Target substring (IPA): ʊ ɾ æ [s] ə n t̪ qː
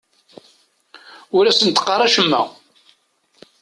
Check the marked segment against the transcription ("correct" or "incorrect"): correct